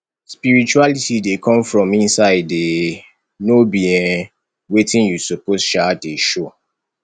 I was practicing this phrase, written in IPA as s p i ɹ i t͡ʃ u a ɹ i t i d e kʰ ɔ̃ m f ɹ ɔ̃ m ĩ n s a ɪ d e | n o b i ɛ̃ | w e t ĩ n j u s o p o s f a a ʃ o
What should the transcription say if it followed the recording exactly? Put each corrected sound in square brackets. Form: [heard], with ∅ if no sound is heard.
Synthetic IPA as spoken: s p i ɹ i t͡ʃ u a [l] i t i d e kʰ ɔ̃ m f ɹ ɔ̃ m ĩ n s a ɪ d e | n o b i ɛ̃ | w e t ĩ n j u s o p o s [ʃ] a [e] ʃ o